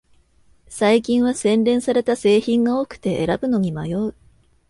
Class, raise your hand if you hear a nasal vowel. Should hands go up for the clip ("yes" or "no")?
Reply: yes